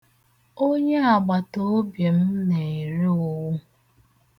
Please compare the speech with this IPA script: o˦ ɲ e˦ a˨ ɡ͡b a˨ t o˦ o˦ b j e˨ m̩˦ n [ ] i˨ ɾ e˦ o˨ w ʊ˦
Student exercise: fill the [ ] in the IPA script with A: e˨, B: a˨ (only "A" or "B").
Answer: A